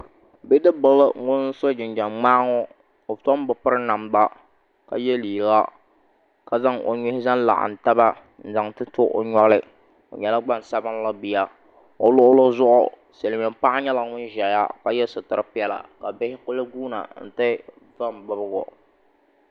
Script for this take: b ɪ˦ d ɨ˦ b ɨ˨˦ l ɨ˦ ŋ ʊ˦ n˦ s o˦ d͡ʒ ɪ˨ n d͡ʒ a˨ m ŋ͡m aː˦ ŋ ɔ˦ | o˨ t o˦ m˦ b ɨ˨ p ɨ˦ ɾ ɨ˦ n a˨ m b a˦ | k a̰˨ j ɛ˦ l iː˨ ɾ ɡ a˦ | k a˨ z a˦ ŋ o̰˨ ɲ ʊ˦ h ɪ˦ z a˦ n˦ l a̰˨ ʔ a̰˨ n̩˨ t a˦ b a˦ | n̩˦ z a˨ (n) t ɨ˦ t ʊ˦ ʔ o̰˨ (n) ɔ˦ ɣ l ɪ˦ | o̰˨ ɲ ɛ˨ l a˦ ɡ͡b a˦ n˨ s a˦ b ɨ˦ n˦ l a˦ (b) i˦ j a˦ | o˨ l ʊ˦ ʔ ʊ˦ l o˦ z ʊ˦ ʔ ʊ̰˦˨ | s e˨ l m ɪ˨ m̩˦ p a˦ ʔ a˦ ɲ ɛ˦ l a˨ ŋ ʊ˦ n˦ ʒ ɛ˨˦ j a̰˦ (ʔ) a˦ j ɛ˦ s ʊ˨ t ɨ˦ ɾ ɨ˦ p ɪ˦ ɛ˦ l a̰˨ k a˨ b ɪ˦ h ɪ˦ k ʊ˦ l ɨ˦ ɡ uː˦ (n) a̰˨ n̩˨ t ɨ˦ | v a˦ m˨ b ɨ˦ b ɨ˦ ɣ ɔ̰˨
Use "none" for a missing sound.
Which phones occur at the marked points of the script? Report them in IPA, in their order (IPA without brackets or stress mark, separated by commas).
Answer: ŋ, ɲ, b, k, n